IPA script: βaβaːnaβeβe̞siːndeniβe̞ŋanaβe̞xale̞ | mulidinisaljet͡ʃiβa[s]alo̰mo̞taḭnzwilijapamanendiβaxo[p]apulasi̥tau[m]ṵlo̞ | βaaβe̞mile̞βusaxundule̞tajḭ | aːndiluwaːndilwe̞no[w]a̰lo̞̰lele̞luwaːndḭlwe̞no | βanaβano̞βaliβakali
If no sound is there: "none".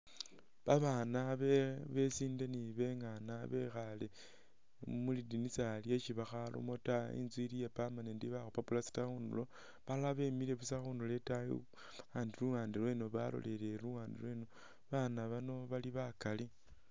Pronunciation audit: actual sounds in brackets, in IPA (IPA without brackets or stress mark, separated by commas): x, p, n, β